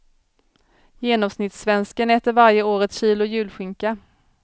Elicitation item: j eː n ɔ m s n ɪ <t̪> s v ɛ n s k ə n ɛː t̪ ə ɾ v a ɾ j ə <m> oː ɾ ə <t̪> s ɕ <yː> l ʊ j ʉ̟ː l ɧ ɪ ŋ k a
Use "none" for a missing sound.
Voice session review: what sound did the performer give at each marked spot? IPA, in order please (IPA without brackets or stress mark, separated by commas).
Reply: t̪, none, t̪, iː